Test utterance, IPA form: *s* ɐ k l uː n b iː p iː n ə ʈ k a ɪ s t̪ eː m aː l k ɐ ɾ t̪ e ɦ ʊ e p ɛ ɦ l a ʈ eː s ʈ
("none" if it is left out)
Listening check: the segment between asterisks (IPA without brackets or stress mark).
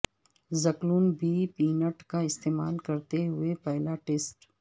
z